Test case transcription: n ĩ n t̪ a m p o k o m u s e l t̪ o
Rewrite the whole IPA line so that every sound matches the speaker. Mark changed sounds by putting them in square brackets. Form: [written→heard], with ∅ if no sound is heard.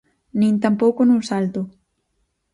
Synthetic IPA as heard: n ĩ n t̪ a m p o k o [m→n] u s [e→a] l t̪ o